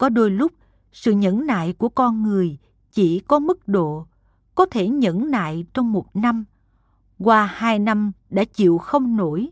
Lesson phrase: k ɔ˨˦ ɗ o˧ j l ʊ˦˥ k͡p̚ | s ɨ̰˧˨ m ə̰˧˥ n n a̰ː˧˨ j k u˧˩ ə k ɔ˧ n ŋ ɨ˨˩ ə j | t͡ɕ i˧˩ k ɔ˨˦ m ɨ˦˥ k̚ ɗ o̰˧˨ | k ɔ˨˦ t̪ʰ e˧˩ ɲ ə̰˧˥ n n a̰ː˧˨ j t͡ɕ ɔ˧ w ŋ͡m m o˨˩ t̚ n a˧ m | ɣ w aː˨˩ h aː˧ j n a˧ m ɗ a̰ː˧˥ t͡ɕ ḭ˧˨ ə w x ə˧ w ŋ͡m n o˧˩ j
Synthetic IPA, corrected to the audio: k ɔ˨˦ ɗ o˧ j l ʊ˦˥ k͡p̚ | s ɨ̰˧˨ ɲ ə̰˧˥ n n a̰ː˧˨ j k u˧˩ ə k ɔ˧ n ŋ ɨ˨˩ ə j | t͡ɕ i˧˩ k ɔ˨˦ m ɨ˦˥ k̚ ɗ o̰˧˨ | k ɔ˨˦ t̪ʰ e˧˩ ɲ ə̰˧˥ n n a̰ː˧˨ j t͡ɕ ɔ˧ w ŋ͡m m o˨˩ t̚ n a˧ m | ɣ w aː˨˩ h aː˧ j n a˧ m ɗ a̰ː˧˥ t͡ɕ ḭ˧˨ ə w x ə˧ w ŋ͡m n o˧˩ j